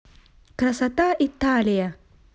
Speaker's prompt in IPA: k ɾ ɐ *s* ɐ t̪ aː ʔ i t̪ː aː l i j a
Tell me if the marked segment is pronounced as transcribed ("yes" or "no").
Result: yes